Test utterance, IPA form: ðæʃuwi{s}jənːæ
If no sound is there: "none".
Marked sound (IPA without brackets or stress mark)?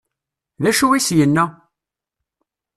s